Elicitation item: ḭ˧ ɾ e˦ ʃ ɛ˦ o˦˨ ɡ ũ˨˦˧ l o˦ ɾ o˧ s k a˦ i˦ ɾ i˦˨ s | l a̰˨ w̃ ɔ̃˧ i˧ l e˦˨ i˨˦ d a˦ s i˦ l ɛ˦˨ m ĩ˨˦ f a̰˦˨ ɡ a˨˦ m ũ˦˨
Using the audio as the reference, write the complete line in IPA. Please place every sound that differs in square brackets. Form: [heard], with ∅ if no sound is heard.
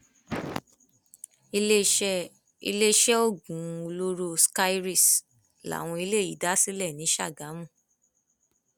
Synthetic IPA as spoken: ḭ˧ [l] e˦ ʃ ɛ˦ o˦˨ ɡ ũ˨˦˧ l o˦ ɾ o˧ s k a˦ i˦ ɾ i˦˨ s | l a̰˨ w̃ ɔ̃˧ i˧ l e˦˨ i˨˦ d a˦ s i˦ l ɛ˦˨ [n] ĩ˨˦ [ʃ] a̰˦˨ ɡ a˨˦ m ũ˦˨